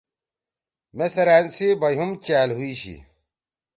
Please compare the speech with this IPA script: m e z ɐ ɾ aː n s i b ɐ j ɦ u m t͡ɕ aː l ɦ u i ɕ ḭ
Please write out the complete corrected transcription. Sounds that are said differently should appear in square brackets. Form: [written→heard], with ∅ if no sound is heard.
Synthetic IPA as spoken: m e [z→s] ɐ ɾ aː n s i b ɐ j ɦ u m t͡ɕ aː l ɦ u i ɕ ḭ